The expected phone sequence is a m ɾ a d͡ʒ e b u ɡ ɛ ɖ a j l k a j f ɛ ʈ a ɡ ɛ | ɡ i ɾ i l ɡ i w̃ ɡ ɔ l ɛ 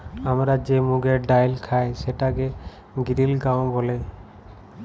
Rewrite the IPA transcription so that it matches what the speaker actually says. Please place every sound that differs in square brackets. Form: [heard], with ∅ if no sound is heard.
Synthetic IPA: a m ɾ a d͡ʒ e [m] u ɡ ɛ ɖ a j l [kʰ] a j [s] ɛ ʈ a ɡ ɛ | ɡ i ɾ i l ɡ [a] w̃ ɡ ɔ l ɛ